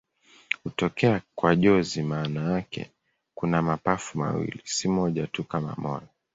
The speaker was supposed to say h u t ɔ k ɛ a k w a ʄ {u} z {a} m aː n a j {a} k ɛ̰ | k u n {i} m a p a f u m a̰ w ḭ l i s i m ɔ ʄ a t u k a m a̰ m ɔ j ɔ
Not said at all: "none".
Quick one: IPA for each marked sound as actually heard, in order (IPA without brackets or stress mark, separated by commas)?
ɔ, i, a, a